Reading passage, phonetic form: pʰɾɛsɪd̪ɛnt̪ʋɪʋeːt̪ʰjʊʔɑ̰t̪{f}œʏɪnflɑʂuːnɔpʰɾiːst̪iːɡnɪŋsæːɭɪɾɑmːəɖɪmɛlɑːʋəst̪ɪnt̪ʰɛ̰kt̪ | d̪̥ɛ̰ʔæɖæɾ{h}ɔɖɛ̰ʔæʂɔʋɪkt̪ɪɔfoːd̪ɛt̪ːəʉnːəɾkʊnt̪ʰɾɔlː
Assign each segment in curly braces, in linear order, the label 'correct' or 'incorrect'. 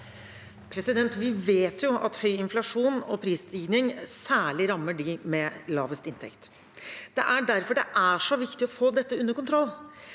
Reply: incorrect, incorrect

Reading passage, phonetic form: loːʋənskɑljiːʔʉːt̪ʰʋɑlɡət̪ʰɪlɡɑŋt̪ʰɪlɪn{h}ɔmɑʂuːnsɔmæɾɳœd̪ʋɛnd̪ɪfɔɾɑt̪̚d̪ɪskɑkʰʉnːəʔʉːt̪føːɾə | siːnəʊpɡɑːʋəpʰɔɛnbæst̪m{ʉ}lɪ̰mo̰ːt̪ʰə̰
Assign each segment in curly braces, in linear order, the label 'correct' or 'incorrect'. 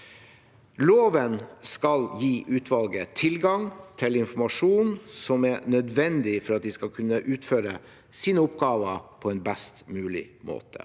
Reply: incorrect, incorrect

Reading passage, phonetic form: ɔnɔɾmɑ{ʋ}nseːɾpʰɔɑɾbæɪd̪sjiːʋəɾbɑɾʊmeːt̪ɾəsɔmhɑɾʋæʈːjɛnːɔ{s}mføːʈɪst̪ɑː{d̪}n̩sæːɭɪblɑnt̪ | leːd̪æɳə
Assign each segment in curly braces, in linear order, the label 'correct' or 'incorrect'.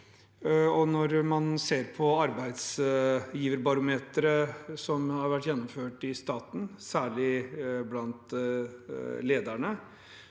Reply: incorrect, incorrect, incorrect

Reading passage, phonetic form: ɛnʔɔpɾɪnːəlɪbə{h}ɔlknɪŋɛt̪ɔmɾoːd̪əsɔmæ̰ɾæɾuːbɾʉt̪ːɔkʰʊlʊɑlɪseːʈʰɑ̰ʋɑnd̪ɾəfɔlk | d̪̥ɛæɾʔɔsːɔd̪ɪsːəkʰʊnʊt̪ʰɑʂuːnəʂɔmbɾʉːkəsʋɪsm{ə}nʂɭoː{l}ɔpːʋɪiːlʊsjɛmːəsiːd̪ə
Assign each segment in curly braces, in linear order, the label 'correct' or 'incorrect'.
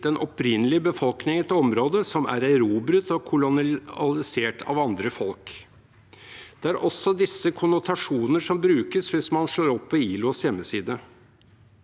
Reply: incorrect, incorrect, incorrect

